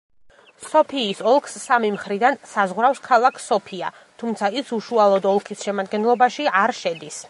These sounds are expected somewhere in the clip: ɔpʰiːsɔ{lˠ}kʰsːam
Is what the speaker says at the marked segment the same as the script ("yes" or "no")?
yes